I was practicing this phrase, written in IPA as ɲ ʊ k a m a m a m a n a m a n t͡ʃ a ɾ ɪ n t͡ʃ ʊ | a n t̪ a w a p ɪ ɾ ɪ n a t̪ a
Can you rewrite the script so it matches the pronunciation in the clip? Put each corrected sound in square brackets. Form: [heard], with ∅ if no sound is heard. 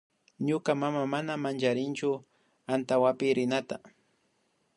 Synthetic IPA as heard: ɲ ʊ k a m a m a m a n a m a n t͡ʃ a ɾ ɪ n t͡ʃ ʊ | a n t̪ a w a p ɪ ɾ ɪ n a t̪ a